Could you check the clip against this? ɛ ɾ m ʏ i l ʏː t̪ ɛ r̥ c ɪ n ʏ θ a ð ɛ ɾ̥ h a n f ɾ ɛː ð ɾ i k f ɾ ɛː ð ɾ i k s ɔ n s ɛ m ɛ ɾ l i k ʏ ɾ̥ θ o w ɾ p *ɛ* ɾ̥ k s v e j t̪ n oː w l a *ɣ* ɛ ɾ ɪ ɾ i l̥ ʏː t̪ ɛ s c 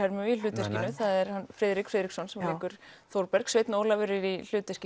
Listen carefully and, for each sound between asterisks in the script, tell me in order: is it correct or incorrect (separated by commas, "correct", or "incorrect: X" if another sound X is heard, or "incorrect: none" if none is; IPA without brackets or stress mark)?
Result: correct, incorrect: v